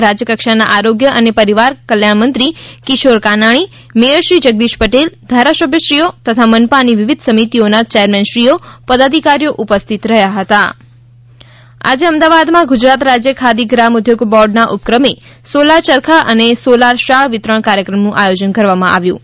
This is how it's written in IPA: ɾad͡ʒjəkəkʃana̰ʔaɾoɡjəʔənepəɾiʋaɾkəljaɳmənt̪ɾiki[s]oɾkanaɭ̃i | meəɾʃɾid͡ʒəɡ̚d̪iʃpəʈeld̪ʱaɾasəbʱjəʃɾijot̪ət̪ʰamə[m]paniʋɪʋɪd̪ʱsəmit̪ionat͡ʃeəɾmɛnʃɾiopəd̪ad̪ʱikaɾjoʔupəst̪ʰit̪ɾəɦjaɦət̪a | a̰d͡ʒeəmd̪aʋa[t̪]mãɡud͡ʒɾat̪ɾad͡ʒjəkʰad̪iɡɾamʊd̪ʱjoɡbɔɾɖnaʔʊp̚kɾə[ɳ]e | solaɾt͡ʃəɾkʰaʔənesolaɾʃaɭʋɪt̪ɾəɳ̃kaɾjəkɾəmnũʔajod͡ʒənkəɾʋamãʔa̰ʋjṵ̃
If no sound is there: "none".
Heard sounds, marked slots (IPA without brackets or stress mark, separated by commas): ʃ, n, d̪, m